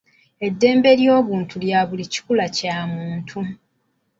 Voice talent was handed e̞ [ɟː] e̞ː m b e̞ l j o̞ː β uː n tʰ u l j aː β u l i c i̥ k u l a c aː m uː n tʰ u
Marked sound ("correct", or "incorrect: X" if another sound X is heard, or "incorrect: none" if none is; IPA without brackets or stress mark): incorrect: dː